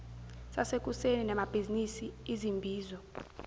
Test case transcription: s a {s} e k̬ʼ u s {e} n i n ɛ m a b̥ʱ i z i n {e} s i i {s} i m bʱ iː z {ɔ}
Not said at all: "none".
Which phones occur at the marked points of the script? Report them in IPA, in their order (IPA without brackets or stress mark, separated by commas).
s, e, i, z, ɔ